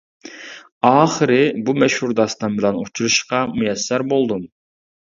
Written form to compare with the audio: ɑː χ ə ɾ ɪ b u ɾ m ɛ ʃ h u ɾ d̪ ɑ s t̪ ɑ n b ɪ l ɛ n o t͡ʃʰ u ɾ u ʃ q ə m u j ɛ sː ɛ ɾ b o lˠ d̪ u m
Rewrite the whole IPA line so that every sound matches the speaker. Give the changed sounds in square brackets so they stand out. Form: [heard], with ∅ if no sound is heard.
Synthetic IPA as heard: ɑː χ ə ɾ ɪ b u [∅] m ɛ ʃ h u ɾ d̪ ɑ s t̪ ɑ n b ɪ l ɛ n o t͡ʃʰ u ɾ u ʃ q [ɑ] m u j ɛ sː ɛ ɾ b o lˠ d̪ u m